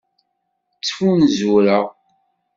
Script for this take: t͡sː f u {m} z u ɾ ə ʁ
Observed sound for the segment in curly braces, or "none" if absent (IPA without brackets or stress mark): n